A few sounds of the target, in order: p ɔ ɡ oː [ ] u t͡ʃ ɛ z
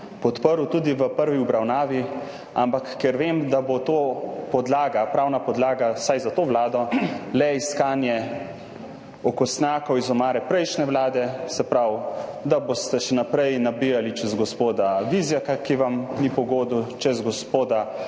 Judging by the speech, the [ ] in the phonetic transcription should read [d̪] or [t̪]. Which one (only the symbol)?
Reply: d̪